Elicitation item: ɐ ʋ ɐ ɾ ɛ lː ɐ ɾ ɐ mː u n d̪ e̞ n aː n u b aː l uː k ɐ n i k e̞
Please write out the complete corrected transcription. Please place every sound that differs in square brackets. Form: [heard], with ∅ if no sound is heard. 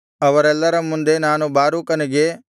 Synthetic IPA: ɐ ʋ ɐ ɾ ɛ lː ɐ ɾ ɐ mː u n d̪ e̞ n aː n u b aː [ɾ] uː k ɐ n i [ɡ] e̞